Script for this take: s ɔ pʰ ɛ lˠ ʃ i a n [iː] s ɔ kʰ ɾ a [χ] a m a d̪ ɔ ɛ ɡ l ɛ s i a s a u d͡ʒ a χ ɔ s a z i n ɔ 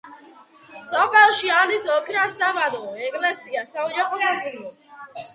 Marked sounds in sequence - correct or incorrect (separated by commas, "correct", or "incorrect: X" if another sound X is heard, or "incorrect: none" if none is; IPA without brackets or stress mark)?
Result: incorrect: i, incorrect: s